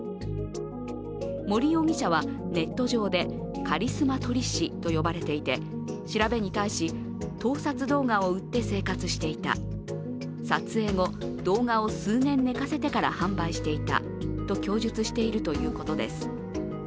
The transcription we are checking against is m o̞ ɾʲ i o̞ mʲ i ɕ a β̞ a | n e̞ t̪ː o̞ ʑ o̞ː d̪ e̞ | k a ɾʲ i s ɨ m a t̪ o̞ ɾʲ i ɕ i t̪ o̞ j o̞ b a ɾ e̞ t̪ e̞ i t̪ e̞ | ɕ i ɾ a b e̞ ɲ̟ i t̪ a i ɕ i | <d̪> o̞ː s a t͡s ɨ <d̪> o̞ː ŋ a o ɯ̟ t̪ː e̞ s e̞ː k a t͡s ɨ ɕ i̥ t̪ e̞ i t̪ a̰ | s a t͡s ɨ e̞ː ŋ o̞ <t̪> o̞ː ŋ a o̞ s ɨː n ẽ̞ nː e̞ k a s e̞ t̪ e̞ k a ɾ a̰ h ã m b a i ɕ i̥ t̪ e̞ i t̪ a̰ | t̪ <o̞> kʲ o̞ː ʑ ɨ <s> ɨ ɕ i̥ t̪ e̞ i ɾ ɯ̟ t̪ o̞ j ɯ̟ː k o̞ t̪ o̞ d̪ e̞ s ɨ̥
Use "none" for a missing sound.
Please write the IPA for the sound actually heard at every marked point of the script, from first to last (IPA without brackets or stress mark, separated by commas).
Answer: t̪, d̪, d̪, o̞, t͡s